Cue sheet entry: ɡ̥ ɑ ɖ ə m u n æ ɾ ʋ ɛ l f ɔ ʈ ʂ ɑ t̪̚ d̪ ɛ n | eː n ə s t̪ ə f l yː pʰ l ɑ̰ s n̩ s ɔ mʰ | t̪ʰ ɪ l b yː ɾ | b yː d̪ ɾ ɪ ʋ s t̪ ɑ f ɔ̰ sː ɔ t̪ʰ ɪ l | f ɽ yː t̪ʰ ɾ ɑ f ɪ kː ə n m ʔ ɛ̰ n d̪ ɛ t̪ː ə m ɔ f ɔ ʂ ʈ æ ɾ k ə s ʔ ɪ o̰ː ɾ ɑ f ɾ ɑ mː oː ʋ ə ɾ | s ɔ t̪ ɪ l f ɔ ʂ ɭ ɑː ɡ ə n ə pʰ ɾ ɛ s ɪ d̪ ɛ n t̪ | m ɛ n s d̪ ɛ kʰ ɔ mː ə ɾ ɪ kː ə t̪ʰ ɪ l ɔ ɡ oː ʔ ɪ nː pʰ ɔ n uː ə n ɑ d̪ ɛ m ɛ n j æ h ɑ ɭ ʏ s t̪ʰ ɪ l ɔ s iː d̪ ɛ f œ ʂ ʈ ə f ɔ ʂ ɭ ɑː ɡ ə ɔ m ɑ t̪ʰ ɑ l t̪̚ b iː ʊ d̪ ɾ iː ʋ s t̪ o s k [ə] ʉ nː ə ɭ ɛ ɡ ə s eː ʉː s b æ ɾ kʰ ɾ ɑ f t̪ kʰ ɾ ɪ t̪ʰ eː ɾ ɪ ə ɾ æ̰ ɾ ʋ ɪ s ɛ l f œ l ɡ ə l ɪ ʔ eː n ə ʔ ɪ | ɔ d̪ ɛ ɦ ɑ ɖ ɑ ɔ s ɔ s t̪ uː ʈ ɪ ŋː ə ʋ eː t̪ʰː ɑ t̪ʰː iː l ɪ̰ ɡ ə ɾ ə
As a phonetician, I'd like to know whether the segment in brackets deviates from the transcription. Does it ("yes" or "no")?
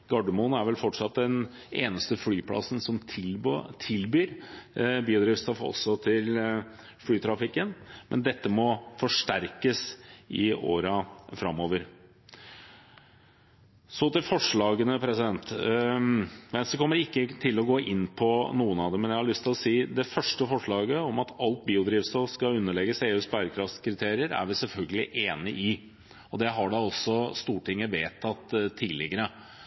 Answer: yes